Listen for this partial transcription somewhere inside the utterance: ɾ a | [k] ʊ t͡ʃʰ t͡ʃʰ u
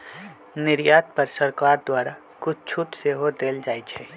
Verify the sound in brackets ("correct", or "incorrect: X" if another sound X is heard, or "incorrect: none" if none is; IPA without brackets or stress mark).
correct